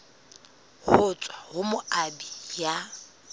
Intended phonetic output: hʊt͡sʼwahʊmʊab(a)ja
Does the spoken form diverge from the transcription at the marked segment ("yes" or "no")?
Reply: yes